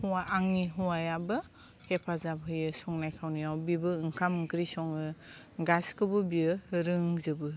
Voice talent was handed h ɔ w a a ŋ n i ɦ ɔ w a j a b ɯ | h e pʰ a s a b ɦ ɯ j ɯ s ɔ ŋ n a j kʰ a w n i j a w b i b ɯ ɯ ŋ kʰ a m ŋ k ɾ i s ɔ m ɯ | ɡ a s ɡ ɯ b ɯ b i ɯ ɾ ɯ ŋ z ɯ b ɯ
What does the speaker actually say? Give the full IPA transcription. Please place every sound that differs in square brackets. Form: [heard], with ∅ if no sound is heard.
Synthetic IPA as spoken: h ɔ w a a ŋ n i ɦ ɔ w a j a b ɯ | h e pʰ a [z] a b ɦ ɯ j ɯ s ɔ ŋ n a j kʰ a w n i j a w b i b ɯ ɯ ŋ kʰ a m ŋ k ɾ i s ɔ [ŋ] ɯ | ɡ a s [k] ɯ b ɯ b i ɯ ɾ ɯ ŋ z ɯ b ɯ